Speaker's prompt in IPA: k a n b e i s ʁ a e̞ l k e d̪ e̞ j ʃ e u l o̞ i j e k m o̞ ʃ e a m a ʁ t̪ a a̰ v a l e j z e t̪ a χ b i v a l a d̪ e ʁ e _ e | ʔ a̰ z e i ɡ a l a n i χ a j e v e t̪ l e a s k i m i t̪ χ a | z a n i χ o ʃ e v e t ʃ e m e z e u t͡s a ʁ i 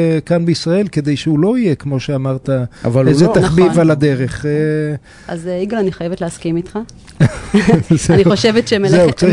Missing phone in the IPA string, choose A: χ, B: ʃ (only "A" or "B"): A